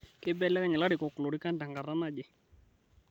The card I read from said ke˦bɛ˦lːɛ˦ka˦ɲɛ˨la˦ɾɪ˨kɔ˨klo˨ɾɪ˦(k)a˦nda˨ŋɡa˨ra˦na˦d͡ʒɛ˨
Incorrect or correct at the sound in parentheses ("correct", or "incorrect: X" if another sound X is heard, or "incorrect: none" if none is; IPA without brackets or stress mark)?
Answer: correct